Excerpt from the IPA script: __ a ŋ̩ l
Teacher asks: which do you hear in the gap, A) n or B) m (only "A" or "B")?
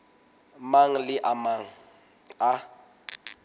B